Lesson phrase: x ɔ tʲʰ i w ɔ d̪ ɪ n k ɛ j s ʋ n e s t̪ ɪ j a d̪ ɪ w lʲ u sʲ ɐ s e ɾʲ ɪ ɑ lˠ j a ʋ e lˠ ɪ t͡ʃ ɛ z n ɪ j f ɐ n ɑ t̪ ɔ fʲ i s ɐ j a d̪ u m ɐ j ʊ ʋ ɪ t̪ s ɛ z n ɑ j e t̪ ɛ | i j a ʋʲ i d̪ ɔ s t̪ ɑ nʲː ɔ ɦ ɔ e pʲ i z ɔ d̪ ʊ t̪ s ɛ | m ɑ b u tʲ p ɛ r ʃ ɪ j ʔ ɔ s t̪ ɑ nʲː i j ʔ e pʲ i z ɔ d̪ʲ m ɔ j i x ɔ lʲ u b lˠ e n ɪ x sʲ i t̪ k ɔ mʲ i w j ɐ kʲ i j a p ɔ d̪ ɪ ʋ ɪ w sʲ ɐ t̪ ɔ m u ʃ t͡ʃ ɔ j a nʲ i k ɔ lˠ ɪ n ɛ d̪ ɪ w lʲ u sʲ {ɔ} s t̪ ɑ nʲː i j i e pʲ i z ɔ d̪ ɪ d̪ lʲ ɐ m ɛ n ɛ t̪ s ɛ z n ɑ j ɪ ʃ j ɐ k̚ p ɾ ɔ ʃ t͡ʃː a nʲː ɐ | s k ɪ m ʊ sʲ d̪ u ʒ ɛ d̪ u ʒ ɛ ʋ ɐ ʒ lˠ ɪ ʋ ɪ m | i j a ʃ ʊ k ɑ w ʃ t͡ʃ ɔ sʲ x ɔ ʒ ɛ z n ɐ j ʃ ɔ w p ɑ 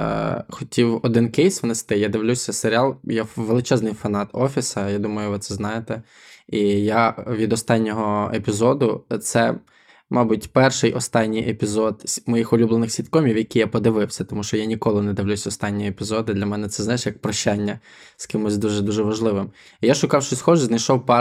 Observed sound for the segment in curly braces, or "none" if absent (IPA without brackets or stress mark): ɔ